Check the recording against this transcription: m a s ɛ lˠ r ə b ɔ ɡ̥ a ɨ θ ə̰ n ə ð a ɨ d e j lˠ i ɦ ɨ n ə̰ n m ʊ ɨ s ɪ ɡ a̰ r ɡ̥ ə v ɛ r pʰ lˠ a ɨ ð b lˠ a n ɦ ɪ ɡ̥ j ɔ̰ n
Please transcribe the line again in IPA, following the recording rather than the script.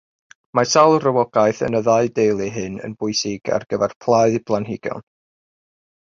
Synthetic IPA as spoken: m a s a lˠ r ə w ɔ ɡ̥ a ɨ θ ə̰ n ə ð a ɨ d e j lˠ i ɦ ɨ n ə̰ n b ʊ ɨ s ɪ ɡ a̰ r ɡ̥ ə v ɛ r pʰ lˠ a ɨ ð b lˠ a n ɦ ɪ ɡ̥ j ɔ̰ n